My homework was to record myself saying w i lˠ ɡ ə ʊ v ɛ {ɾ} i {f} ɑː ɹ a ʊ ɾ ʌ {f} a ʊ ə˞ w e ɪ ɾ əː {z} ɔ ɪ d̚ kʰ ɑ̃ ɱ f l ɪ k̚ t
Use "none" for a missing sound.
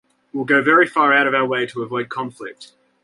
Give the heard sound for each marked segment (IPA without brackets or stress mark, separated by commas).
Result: ɹ, f, v, v